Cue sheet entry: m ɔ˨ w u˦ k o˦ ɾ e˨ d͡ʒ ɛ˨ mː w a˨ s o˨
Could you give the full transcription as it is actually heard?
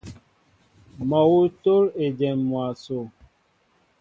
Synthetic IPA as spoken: m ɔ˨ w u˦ t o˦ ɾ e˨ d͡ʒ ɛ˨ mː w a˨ s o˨